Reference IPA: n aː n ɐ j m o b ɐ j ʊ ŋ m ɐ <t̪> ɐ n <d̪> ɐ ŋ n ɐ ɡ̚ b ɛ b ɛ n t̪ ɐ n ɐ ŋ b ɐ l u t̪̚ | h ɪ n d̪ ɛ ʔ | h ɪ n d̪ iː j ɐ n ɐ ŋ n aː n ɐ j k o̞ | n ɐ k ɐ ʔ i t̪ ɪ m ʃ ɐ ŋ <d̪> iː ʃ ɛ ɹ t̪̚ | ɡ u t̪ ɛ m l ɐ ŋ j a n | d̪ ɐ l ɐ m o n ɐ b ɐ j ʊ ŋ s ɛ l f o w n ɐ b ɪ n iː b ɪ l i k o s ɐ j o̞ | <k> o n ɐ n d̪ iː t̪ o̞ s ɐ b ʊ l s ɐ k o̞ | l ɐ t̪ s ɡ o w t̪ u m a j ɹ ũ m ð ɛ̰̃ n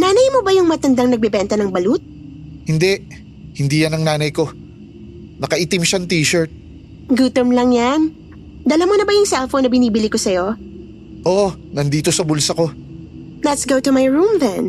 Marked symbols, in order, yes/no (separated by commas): yes, yes, no, no